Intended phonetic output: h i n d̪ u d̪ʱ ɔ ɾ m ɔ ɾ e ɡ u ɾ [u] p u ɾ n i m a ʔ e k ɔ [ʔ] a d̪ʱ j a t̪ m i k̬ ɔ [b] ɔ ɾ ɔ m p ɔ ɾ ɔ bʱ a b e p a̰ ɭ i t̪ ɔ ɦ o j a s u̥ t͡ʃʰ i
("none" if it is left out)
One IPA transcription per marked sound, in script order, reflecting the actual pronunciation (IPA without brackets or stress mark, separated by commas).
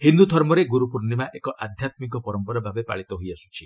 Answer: u, ʔ, p